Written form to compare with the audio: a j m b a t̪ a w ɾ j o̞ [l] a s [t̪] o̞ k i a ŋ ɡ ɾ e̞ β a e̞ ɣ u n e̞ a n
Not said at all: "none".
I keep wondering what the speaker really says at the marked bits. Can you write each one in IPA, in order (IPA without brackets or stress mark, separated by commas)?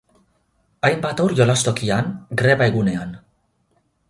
l, t̪